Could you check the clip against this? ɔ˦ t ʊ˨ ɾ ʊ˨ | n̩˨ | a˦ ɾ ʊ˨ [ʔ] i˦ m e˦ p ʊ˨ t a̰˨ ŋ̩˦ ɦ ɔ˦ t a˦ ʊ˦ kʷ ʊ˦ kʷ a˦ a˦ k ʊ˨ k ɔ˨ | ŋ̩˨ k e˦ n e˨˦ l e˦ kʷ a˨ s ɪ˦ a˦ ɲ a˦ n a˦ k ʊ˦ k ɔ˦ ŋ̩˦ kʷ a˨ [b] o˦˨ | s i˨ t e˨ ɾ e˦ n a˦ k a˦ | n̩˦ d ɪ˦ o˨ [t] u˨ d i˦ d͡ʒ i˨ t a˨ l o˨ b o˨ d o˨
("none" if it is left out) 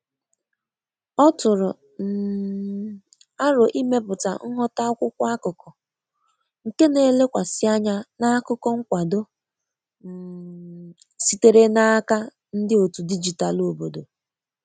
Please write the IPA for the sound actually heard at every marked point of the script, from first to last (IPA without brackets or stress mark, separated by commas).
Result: ʔ, d, t